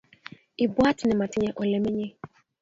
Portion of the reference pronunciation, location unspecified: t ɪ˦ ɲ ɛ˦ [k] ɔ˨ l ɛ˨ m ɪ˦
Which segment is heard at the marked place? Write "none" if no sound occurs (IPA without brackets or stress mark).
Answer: ʔ